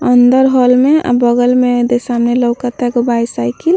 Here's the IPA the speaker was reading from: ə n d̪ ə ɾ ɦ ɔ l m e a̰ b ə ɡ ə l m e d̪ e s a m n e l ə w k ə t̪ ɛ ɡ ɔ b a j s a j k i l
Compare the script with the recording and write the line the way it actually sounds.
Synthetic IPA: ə n d̪ ə ɾ ɦ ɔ l m e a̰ b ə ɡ ə l m e d̪ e s a m n e l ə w k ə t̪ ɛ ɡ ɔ b a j s a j k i l